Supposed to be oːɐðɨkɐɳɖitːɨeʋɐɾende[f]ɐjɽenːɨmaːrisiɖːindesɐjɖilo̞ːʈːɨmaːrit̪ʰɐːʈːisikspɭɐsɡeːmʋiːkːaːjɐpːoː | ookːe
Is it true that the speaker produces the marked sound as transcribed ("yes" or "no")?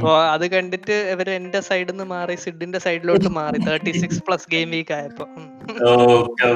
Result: no